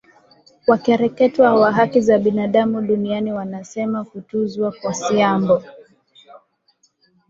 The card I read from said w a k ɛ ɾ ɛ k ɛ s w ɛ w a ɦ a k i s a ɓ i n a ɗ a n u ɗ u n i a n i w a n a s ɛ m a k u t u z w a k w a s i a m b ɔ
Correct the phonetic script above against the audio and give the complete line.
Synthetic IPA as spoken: w a k ɛ ɾ ɛ k ɛ t w a w a ɦ a k i z a ɓ i n a ɗ a m u ɗ u n i a n i w a n a s ɛ m a k u t u z w a k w a s i a m b ɔ